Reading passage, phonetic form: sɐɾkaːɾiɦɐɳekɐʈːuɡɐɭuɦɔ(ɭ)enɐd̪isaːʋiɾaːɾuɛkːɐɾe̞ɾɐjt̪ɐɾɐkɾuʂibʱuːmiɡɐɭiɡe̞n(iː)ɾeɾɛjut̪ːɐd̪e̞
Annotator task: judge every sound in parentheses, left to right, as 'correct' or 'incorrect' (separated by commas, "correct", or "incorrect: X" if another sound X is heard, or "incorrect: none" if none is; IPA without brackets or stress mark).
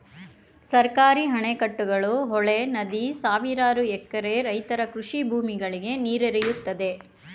correct, correct